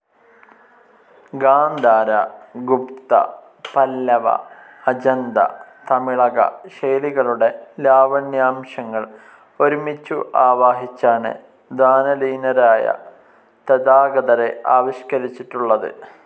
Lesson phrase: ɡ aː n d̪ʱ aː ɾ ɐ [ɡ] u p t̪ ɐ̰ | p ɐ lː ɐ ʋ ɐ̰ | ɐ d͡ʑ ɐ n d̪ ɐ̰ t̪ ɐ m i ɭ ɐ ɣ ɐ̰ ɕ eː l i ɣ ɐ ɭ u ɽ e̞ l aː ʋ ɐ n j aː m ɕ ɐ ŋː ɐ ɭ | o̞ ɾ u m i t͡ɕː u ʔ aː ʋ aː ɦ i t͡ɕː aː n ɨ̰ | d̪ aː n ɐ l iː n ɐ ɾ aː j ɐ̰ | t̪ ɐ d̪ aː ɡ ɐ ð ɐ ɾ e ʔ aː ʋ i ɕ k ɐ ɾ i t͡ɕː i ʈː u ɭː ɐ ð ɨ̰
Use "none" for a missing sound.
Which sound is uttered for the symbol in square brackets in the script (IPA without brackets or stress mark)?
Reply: ɡ